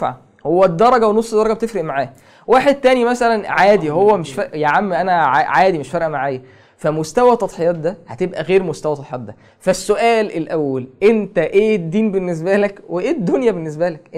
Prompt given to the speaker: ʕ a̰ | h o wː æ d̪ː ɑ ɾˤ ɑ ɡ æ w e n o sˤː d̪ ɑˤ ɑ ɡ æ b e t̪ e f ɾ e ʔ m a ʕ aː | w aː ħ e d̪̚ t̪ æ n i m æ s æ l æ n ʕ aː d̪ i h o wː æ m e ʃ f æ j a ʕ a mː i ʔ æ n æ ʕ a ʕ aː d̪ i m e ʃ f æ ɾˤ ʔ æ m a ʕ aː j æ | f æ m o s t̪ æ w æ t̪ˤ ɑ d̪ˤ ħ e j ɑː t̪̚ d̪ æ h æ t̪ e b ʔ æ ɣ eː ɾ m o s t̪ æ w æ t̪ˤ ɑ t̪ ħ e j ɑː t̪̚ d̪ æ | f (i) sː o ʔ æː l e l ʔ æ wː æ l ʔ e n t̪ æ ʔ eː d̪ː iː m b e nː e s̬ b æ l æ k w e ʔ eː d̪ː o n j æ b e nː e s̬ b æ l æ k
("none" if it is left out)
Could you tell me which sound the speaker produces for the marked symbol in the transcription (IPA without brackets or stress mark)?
æ